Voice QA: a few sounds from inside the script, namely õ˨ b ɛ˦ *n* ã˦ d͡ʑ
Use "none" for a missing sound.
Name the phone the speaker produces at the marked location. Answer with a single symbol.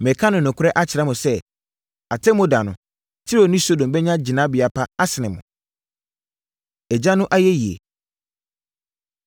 ɲ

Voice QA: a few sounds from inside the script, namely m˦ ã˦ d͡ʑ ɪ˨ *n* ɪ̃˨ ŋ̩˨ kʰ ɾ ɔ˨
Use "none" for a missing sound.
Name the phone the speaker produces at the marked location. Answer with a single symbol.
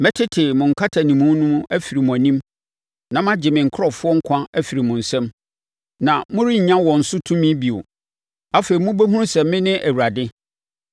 m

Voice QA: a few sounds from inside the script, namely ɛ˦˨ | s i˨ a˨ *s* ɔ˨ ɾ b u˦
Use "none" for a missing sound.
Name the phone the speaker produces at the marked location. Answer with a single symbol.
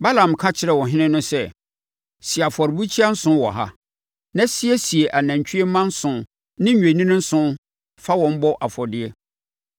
f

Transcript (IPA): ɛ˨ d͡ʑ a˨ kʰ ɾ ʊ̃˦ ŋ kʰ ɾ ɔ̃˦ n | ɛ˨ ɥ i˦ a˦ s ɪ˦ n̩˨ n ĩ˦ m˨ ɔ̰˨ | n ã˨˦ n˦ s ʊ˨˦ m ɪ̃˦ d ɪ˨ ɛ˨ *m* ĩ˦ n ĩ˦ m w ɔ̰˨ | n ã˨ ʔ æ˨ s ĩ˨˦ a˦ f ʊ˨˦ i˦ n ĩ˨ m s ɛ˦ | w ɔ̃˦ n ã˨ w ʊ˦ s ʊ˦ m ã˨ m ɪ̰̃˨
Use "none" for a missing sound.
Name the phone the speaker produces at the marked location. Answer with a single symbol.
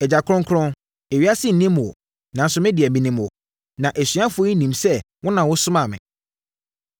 m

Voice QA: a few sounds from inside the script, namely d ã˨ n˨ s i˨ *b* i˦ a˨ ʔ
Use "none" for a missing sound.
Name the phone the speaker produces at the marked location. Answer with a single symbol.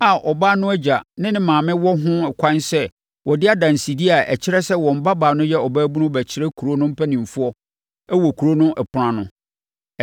d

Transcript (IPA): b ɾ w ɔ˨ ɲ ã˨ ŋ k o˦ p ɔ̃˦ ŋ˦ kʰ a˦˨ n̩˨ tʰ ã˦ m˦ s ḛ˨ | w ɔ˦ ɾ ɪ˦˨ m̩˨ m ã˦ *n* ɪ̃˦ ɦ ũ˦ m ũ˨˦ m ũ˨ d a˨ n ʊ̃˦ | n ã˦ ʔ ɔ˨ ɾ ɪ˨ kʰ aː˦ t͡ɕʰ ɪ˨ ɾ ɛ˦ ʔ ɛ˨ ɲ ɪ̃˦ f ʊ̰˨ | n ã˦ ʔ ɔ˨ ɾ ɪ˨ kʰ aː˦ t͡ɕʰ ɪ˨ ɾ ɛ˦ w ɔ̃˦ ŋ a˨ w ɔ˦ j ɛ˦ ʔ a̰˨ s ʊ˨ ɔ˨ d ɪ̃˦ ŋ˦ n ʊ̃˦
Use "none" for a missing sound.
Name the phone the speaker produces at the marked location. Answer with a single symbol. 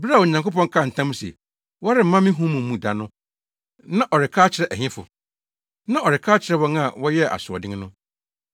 m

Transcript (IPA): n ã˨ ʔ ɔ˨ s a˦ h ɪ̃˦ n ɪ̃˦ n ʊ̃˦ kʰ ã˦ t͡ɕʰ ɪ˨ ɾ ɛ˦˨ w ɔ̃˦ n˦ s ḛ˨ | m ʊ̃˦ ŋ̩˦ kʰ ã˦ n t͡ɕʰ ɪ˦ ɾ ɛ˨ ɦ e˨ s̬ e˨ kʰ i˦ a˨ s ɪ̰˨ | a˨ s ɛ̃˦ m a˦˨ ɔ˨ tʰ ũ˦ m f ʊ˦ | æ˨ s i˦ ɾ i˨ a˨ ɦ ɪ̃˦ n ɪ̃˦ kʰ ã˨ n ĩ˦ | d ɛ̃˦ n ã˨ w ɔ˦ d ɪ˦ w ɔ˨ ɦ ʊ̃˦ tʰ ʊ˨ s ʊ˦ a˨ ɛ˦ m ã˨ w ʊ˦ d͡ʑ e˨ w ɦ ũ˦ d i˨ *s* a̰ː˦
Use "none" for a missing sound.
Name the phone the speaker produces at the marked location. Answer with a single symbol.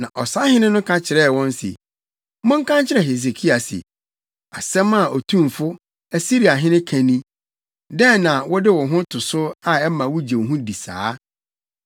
s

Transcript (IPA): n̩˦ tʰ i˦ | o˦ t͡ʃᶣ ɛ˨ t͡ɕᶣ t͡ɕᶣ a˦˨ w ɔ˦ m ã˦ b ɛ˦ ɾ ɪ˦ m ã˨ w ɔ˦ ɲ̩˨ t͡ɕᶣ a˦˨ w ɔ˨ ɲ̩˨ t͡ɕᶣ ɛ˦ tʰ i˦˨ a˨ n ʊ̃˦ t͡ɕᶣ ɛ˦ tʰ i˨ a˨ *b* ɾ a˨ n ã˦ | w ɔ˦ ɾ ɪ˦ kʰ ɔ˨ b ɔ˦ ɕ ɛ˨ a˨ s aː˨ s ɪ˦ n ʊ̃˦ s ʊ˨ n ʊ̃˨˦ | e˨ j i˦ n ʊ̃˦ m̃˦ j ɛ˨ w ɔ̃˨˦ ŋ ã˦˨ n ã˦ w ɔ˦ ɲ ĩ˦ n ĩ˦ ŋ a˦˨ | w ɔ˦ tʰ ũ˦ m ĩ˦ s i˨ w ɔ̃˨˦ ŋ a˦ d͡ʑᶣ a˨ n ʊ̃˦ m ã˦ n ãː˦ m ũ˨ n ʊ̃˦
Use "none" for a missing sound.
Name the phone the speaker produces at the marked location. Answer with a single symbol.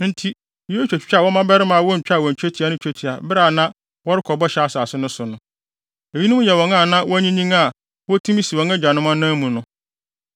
b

